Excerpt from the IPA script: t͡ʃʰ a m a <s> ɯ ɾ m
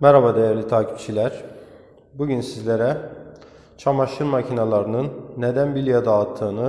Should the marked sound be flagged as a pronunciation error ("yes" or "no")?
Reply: yes